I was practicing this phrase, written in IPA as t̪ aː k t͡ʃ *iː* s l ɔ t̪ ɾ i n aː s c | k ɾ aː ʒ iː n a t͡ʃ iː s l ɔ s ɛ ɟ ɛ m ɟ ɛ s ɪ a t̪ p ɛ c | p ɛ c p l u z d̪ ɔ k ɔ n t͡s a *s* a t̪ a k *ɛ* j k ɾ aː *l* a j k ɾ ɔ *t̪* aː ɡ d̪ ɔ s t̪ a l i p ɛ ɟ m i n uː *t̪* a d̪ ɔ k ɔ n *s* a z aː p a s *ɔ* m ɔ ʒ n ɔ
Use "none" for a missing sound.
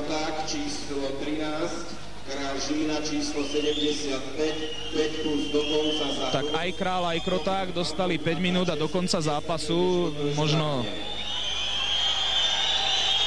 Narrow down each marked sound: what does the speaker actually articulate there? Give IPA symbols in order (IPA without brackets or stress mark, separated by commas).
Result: iː, z, a, l, t̪, d̪, t͡s, u